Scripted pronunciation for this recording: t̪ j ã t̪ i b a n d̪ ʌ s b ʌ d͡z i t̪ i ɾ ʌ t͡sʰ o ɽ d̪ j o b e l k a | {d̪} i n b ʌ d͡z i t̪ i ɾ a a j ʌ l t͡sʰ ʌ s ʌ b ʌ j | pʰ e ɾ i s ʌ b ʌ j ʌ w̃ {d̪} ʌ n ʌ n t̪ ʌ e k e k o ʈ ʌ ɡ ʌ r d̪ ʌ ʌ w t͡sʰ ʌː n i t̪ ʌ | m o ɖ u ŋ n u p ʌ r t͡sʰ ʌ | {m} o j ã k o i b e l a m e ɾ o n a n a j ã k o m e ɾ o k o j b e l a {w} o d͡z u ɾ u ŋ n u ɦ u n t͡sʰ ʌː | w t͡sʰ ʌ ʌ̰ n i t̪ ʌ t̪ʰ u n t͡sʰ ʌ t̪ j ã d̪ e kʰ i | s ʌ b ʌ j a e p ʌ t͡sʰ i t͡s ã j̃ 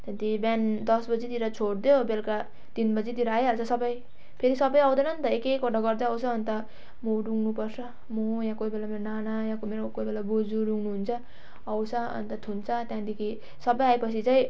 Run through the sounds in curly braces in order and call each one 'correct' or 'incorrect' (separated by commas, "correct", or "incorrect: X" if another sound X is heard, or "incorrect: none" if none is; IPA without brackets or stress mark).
incorrect: t̪, correct, correct, incorrect: b